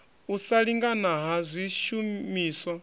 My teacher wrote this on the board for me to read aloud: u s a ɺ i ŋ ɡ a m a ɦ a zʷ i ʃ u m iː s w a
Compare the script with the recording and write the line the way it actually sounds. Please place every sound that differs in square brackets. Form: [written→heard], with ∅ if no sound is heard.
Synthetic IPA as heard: u s a ɺ i ŋ ɡ a [m→n] a ɦ a zʷ i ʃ u m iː s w a